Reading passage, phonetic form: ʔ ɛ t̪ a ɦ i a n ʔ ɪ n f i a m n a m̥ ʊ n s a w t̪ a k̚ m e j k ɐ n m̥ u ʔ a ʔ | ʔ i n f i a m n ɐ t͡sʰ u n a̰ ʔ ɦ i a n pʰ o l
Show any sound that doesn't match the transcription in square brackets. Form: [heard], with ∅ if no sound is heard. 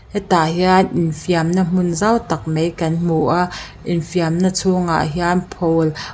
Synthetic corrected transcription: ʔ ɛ t̪ a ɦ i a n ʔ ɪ n f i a m n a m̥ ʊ n [z] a w t̪ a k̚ m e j k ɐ n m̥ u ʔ a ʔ | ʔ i n f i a m n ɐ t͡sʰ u [ŋ] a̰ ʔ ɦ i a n pʰ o l